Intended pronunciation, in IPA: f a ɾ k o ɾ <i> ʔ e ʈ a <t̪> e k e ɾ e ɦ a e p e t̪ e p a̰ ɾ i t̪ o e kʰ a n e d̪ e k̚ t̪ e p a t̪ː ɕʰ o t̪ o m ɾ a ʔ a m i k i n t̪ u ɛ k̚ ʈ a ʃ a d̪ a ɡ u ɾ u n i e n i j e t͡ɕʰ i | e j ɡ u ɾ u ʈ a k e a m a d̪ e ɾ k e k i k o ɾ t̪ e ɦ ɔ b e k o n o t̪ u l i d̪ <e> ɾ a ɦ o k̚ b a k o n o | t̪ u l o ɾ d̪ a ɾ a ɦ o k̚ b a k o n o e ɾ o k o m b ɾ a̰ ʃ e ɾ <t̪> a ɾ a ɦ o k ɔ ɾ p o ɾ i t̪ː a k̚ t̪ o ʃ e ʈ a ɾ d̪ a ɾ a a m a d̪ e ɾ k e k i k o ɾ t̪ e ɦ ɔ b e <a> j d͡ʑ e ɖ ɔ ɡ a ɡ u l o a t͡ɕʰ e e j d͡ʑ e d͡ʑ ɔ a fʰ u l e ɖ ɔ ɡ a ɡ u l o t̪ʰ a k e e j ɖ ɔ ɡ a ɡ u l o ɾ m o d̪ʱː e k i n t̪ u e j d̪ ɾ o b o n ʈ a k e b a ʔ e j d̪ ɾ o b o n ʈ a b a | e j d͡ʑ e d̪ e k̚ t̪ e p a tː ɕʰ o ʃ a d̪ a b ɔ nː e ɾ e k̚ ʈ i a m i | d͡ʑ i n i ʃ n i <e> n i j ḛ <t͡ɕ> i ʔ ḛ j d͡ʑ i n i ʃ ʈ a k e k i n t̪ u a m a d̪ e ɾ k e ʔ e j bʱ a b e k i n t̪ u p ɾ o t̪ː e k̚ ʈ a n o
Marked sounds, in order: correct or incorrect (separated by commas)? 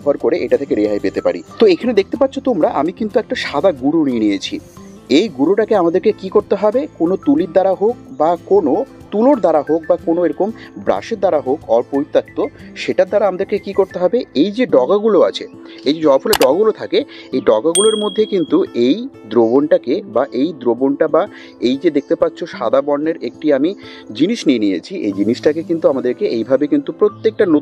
incorrect, incorrect, incorrect, incorrect, incorrect, correct, incorrect